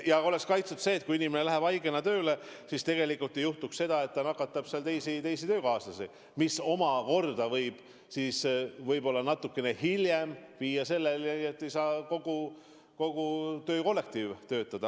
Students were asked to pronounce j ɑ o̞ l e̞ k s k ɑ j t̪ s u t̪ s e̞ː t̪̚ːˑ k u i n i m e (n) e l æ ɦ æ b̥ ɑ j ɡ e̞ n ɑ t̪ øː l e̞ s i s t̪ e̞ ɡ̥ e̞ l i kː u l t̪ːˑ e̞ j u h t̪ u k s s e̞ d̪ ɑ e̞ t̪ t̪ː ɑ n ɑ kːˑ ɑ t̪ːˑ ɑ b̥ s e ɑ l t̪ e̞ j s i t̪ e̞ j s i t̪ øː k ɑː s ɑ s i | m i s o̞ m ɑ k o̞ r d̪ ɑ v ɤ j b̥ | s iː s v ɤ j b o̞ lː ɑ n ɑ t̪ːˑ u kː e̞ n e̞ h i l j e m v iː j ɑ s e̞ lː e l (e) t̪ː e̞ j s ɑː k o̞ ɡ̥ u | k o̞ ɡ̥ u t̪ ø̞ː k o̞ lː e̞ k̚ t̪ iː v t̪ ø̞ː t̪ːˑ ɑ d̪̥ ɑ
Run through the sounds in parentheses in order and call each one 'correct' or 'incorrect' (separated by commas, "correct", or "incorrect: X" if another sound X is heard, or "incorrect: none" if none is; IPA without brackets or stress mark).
correct, correct